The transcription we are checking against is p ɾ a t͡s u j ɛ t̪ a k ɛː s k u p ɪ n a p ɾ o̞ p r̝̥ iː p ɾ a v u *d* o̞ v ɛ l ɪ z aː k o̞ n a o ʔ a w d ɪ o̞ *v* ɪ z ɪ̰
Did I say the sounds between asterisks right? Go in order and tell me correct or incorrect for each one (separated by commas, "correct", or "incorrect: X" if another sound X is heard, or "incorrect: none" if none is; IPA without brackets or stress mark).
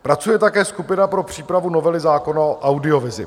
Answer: incorrect: n, correct